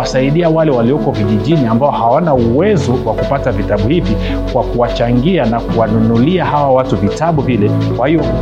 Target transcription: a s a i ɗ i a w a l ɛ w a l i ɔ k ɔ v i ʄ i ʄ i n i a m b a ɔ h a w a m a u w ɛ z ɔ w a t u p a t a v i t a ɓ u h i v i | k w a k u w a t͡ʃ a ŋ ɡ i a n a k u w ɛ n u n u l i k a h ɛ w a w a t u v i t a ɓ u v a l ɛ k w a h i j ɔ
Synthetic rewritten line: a s a i ɗ i a w a l ɛ w a l i ɔ k ɔ v i ʄ i ʄ i n i a m b a ɔ h a w a n a u w ɛ z ɔ w a k u p a t a v i t a ɓ u h i v i | k w a k u w a t͡ʃ a ŋ ɡ i a n a k u w a n u n u l i a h a w a w a t u v i t a ɓ u v i l ɛ k w a h i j ɔ